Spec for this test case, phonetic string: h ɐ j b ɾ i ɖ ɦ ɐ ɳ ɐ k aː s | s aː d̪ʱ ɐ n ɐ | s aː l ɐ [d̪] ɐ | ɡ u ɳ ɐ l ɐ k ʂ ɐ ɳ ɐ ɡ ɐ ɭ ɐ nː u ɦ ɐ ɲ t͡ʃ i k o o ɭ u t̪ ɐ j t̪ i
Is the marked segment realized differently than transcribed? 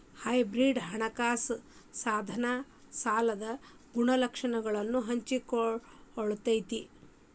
no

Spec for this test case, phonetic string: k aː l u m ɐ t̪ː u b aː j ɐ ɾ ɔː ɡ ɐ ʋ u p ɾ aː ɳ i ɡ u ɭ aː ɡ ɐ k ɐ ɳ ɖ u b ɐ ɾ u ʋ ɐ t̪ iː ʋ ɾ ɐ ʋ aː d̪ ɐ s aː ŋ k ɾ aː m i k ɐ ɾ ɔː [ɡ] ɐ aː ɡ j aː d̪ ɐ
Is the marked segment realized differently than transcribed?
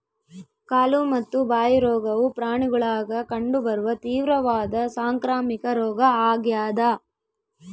no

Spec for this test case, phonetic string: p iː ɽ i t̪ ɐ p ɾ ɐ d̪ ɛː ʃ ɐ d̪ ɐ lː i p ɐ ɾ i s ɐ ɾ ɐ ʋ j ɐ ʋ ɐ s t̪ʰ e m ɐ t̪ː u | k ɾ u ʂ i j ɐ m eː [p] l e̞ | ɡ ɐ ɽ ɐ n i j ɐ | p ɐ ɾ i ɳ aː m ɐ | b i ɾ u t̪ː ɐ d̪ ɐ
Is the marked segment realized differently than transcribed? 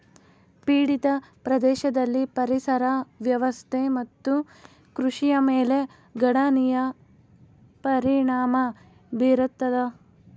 yes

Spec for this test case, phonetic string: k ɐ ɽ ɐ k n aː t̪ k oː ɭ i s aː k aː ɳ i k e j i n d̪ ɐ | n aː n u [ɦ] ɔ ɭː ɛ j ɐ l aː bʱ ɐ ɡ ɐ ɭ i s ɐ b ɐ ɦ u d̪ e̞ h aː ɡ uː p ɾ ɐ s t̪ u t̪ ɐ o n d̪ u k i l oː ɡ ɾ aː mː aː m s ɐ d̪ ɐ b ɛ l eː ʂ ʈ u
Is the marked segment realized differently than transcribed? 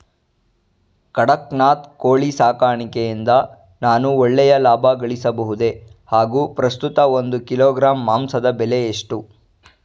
yes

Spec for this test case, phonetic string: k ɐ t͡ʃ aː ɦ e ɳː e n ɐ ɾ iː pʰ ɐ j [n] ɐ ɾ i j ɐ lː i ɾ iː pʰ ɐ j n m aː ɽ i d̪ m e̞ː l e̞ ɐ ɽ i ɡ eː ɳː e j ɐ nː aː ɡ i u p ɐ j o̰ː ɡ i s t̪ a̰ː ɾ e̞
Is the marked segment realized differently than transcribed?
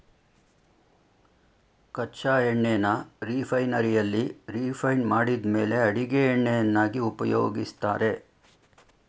no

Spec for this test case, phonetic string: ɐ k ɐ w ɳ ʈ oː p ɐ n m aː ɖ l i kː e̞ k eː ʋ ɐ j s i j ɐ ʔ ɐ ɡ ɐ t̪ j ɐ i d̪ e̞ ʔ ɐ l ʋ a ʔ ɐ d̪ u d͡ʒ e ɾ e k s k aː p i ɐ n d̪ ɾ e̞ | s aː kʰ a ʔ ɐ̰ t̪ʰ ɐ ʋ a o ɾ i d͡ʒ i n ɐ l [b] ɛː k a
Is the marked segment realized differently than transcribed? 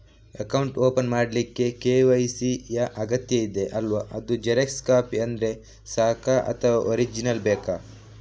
no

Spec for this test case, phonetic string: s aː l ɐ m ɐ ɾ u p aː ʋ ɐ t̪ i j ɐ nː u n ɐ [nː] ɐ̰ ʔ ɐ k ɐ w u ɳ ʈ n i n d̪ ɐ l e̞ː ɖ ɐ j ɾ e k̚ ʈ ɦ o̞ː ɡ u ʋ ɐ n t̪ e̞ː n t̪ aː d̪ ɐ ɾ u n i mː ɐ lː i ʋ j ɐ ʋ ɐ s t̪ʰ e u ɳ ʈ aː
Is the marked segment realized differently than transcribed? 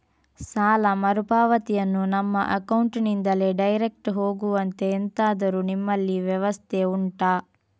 yes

